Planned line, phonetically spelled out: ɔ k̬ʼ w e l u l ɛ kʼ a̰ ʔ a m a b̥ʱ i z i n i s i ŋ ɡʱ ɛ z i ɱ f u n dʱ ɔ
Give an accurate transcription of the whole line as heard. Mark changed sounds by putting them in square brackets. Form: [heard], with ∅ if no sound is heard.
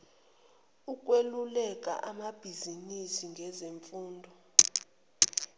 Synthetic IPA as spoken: [u] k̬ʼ w e l u l ɛ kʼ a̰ ʔ a m a b̥ʱ i z i n i s i ŋ ɡʱ ɛ z [e] ɱ f [uː] n dʱ ɔ